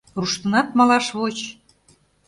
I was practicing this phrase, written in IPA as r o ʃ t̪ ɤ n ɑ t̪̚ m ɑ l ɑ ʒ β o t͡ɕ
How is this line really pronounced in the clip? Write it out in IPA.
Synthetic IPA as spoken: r u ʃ t̪ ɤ n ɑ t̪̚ m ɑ l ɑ ʃ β o t͡ɕ